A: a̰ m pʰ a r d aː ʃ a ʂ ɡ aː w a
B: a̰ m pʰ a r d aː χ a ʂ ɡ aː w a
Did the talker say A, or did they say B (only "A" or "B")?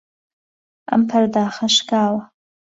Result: B